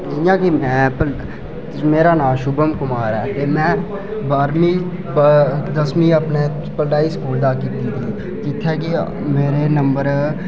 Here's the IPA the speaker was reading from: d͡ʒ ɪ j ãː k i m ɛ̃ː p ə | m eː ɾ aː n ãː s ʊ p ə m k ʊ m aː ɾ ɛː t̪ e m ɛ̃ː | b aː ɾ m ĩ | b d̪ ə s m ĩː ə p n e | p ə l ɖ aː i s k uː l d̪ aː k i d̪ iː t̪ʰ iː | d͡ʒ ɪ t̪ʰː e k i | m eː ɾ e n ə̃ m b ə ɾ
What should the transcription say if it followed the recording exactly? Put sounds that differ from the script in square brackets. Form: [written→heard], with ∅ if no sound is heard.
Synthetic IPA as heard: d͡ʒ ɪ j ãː k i m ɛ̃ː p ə | m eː ɾ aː n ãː [s→ʃ] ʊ [p→b] ə m k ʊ m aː ɾ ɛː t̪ e m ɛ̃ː | b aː ɾ m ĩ | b d̪ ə s m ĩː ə p n e | p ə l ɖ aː i s k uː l d̪ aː k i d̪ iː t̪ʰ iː | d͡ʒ ɪ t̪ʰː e k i | m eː ɾ e n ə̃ m b ə ɾ

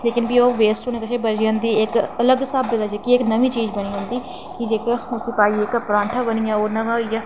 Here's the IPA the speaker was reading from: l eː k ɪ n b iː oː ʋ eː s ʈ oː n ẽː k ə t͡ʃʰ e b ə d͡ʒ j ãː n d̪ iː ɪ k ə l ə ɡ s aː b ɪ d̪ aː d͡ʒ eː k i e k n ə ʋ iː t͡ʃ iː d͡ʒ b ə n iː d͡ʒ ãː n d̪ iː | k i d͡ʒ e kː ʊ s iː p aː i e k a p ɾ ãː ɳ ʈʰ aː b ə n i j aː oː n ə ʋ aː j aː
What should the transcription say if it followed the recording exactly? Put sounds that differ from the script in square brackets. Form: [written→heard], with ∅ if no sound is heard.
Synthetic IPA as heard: l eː k ɪ n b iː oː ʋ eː s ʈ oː n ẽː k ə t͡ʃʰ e b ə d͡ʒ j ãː n d̪ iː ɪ k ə l ə ɡ s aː b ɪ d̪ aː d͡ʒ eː k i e k n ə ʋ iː t͡ʃ iː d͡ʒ b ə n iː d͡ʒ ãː n d̪ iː | k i d͡ʒ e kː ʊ s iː p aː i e k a p ɾ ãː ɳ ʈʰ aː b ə n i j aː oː n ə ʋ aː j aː

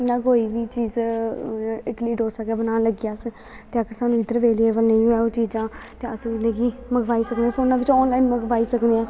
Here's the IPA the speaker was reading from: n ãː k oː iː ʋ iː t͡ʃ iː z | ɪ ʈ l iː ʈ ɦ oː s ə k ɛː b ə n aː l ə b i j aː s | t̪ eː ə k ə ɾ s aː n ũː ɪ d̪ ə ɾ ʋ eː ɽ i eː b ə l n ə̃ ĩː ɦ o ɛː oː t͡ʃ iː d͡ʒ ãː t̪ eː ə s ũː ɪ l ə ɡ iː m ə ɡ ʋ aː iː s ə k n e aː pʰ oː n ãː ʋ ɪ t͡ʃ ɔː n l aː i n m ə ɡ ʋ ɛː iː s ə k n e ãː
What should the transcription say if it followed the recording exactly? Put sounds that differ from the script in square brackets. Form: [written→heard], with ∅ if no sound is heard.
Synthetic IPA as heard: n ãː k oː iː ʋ iː t͡ʃ iː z | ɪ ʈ l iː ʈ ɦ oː s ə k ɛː b ə n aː l ə [b→ɡ] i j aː s | t̪ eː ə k ə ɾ s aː n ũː ɪ d̪ ə ɾ ʋ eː [ɽ→l] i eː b ə l n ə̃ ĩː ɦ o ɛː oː t͡ʃ iː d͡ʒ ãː t̪ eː ə s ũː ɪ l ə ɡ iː m ə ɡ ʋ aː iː s ə k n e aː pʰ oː n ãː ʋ ɪ t͡ʃ ɔː n l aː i n m ə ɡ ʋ [ɛː→aː] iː s ə k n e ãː

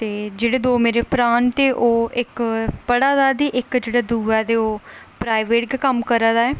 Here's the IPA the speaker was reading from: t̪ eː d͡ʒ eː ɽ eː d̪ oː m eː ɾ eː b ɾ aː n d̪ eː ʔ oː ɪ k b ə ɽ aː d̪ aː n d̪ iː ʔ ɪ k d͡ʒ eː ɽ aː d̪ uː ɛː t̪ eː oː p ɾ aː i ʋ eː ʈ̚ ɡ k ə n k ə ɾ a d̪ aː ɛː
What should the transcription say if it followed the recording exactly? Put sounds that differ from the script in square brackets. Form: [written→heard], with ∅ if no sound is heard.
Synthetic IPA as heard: t̪ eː d͡ʒ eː ɽ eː d̪ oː m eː ɾ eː [b→p] ɾ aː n [d̪→t̪] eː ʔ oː ɪ k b ə ɽ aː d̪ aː [n→∅] d̪ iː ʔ ɪ k d͡ʒ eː ɽ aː d̪ uː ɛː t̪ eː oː p ɾ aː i ʋ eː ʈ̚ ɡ k ə [n→m] k ə ɾ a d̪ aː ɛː

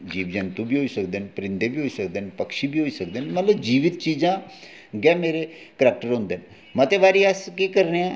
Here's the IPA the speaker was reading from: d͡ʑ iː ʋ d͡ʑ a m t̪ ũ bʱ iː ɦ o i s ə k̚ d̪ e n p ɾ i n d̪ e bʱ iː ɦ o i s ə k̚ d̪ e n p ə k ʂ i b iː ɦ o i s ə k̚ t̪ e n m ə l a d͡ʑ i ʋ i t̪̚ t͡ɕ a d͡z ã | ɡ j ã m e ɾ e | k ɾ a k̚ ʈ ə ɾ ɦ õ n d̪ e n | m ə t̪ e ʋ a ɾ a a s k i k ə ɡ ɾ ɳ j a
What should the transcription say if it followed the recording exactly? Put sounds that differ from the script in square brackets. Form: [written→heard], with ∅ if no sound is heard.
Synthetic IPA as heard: d͡ʑ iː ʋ d͡ʑ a [m→n] t̪ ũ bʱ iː ɦ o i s ə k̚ d̪ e n p ɾ i n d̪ e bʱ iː ɦ o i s ə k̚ d̪ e n p ə k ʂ i b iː ɦ o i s ə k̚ [t̪→d̪] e n m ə l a d͡ʑ i ʋ i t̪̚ t͡ɕ [a→i] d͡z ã | ɡ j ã m e ɾ e | k ɾ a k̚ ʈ ə ɾ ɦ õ n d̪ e n | m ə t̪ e ʋ a ɾ [a→i] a s k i k ə [ɡ→∅] ɾ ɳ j a

